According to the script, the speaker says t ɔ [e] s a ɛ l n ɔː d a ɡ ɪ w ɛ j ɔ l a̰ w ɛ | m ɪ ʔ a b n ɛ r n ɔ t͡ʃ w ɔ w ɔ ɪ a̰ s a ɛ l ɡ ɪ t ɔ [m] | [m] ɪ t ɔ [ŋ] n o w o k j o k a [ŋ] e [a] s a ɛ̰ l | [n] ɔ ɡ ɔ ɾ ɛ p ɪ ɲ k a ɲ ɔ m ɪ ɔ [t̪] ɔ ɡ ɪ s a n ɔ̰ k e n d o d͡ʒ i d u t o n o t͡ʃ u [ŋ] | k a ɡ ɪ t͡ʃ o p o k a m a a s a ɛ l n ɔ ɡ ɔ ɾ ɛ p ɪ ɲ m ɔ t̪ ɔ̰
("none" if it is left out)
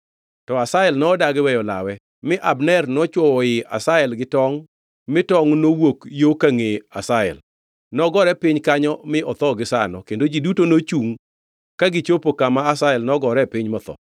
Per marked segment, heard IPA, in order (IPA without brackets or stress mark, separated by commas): a, ŋ, m, ŋ, ŋ, a, n, t̪, ŋ